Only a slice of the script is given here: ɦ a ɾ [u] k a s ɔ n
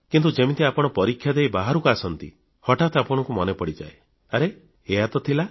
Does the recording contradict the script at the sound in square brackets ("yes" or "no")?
no